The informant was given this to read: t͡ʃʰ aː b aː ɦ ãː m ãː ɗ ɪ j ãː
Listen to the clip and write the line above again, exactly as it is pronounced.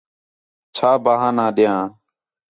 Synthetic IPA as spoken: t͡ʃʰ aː b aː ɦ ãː n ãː ɗ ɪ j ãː